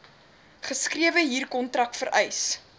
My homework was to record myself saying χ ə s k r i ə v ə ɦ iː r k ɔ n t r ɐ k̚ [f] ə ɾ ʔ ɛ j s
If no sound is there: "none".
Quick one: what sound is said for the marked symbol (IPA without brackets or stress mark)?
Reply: f